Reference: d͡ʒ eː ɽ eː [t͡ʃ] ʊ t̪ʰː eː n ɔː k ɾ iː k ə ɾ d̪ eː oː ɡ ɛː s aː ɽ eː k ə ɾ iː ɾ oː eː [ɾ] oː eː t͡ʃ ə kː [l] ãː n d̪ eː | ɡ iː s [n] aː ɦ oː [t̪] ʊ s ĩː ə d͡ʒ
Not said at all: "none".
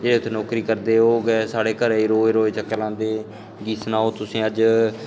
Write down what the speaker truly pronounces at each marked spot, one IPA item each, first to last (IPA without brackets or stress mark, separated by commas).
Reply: none, ɾ, l, n, t̪